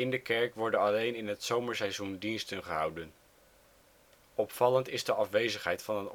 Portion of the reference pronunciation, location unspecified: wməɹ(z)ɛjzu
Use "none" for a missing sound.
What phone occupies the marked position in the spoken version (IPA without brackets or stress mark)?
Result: s